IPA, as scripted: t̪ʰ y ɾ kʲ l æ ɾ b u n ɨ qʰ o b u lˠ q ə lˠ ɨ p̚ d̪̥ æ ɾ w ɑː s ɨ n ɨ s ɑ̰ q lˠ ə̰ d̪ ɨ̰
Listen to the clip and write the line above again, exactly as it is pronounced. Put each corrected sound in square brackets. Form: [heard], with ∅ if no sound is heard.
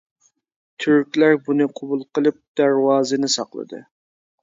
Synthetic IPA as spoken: t̪ʰ y ɾ kʲ l æ ɾ b u n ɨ qʰ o b u lˠ q ə lˠ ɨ p̚ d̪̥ æ ɾ w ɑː [z] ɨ n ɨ s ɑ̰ q lˠ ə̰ d̪ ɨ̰